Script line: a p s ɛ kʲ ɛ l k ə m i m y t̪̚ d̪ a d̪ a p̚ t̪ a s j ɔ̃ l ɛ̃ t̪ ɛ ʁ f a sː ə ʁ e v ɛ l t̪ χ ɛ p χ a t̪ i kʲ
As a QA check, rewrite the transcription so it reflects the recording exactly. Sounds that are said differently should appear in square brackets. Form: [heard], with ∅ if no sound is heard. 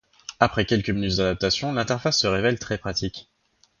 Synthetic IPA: a p [χ] ɛ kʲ ɛ l k ə m i [n] y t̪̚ d̪ a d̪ a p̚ t̪ a s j ɔ̃ l ɛ̃ t̪ ɛ ʁ f a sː ə ʁ e v ɛ l t̪ χ ɛ p χ a t̪ i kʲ